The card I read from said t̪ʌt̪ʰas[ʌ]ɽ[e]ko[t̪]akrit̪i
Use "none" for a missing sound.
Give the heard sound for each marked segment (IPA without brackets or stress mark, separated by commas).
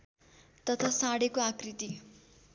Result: a, e, none